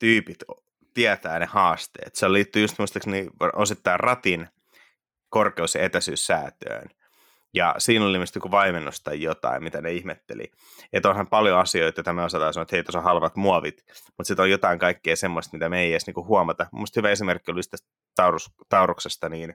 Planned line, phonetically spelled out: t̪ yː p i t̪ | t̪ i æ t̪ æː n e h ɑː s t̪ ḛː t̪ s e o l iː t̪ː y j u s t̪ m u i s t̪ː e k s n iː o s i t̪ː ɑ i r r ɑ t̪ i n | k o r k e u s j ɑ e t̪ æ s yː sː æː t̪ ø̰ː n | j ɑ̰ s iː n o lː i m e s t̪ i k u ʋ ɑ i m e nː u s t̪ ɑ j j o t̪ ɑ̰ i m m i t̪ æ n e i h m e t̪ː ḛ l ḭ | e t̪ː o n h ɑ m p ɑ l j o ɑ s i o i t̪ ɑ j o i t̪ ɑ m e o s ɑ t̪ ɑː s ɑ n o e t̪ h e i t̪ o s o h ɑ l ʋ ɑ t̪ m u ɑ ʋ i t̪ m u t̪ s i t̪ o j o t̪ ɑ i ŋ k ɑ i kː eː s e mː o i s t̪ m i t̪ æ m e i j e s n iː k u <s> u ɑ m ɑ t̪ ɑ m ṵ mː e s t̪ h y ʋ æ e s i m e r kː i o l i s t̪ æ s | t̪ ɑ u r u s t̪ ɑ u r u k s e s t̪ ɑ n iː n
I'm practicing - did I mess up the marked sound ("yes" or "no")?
yes